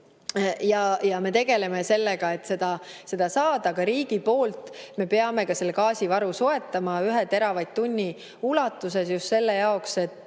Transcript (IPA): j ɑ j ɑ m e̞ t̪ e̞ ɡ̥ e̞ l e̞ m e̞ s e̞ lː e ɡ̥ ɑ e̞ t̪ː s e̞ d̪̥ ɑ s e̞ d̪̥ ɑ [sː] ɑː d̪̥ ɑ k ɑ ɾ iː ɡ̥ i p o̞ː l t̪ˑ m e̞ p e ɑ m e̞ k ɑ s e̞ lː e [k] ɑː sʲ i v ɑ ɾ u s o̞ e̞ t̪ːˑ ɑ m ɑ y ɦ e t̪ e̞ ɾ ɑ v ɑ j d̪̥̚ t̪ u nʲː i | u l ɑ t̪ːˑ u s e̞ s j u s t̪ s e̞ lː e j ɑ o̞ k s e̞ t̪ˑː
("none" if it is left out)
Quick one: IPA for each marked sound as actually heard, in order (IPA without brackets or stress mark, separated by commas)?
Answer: s, k